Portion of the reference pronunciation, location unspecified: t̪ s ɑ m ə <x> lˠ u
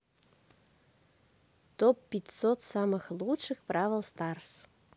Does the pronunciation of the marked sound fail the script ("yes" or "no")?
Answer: no